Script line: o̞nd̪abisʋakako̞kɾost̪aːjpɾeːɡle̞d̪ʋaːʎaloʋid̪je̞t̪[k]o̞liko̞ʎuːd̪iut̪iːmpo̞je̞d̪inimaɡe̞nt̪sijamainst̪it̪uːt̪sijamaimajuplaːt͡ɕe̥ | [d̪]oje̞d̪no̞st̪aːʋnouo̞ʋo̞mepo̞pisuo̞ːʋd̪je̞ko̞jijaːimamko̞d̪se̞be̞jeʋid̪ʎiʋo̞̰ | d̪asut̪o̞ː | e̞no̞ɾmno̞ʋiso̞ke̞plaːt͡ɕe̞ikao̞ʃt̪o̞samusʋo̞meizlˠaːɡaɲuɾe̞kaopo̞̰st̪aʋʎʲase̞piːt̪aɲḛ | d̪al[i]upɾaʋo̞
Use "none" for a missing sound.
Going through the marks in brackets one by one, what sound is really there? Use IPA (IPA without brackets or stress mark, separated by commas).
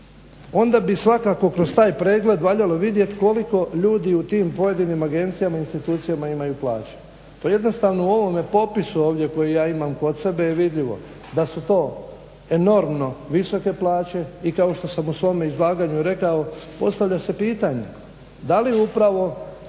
k, t̪, i